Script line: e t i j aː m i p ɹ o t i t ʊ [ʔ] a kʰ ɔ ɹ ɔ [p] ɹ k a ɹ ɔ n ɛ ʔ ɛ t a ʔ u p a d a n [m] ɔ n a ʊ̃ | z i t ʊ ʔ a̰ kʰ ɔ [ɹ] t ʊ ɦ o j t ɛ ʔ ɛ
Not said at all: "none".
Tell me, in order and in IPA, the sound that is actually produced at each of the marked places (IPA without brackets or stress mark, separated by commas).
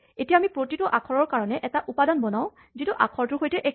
ʔ, none, b, ɹ